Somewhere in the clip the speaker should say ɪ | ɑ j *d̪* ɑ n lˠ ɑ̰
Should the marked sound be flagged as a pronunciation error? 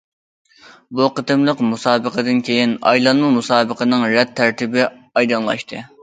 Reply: no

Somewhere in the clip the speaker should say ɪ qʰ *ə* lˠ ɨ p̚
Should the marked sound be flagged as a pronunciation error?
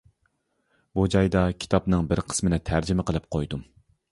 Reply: no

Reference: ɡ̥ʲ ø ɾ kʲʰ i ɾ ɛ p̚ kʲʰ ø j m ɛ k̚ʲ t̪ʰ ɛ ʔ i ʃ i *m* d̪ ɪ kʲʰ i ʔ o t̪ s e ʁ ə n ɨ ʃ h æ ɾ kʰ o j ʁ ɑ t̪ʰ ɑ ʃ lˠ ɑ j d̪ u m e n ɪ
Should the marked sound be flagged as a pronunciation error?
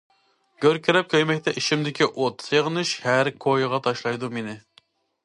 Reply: no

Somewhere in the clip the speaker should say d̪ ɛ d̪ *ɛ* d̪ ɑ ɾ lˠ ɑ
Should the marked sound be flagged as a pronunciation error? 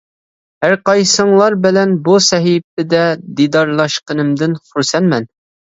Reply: yes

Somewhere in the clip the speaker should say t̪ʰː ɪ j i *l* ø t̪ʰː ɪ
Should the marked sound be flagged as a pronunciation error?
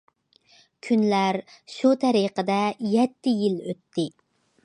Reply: no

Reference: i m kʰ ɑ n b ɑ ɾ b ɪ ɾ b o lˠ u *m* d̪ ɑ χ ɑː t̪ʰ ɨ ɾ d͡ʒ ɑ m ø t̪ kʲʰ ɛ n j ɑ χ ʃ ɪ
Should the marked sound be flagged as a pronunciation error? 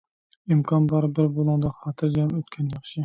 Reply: yes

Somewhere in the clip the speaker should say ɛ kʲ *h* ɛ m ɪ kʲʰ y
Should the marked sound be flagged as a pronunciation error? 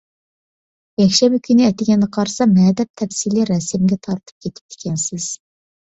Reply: yes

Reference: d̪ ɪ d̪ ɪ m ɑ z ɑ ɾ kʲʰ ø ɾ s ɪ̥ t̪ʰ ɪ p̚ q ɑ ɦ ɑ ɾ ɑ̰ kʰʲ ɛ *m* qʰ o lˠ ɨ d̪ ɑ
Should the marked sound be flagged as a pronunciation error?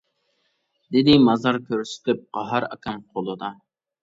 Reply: no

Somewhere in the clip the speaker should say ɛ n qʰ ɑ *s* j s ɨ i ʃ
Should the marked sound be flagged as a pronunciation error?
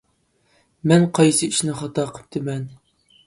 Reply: yes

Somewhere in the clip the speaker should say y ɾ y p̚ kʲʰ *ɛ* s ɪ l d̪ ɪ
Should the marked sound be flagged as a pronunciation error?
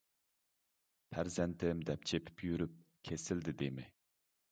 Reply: yes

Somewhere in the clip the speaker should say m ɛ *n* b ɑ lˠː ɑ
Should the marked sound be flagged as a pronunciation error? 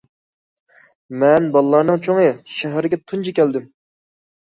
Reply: no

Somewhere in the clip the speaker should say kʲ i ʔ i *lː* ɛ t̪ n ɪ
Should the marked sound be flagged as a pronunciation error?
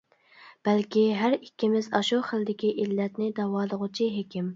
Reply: no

